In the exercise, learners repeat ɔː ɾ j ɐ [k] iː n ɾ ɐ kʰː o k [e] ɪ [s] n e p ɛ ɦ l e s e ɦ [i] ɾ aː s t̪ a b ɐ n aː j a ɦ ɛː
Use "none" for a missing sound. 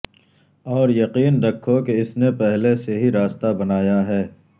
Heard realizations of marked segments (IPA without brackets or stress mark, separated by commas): q, e, s, i